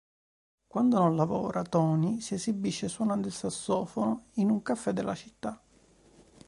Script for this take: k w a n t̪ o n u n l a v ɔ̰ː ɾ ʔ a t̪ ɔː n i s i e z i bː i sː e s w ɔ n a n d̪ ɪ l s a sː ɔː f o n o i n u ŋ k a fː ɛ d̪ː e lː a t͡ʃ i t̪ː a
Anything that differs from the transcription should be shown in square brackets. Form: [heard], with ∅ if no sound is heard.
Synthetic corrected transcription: k w a n [d̪] o n [o] n l a v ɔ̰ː ɾ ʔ a t̪ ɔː n i s i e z i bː i [ʃː] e s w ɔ n a n d̪ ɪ l s a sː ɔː f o n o i n u ŋ k a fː ɛ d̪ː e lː a t͡ʃ i t̪ː a

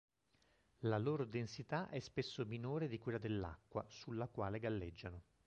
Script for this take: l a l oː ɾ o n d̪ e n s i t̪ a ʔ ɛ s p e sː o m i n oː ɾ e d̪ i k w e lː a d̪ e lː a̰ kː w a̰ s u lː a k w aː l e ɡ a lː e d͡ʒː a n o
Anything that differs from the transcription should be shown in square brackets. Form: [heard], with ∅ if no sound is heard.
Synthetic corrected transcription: l a l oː ɾ o [∅] d̪ e n s i t̪ a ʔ ɛ s p e sː o m i n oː ɾ e d̪ i k w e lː a d̪ e lː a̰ kː w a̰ s u lː a k w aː l e ɡ a lː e d͡ʒː a n o

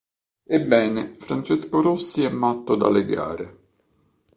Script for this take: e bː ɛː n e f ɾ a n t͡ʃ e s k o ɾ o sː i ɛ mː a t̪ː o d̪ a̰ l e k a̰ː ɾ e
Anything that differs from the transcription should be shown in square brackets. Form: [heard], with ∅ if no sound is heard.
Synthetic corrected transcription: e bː ɛː n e f ɾ a n t͡ʃ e s k o ɾ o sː i ɛ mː a t̪ː o d̪ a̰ l e [ɡ] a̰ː ɾ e

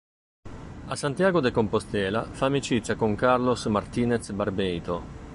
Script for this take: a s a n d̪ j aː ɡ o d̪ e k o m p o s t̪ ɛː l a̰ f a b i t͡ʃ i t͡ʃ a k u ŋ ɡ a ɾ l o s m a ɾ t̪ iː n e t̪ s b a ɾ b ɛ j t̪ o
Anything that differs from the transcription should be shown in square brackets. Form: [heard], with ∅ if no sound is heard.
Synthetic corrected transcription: a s a n [t̪] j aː ɡ o d̪ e k o m p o s t̪ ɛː l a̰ f a [m] i t͡ʃ i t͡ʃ a k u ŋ [k] a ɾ l o s m a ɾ t̪ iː n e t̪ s b a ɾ b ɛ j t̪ o

